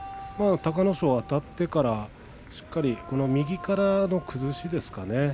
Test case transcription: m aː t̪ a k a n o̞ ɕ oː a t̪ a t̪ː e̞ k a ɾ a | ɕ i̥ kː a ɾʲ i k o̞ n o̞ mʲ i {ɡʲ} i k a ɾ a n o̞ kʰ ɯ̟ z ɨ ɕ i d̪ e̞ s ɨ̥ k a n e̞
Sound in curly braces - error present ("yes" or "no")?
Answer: no